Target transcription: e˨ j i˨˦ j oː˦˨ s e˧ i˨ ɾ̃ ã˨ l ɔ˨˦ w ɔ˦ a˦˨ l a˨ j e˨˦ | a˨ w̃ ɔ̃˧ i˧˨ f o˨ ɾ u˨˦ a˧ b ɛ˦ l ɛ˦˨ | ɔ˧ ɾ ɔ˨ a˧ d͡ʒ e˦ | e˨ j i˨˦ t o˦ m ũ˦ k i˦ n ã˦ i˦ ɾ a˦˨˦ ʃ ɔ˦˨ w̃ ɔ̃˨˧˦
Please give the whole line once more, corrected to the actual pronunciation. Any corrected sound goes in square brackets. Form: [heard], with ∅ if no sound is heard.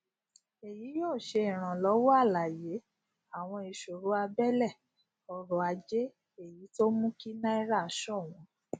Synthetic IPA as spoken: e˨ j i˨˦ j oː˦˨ [ʃ] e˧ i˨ ɾ̃ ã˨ l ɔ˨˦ w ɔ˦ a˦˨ l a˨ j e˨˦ | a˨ w̃ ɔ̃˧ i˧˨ [ʃ] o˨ ɾ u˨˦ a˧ b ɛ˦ l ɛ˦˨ | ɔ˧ ɾ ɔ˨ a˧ d͡ʒ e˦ | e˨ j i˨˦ t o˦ m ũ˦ k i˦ n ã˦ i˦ ɾ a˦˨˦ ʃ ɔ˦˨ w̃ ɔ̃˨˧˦